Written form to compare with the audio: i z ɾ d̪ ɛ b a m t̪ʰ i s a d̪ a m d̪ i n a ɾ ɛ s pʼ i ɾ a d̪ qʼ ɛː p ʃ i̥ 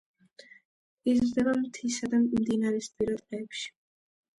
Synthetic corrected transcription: i z ɾ d̪ ɛ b a m t̪ʰ i s a d̪ a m d̪ i n a ɾ ɛ s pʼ i ɾ a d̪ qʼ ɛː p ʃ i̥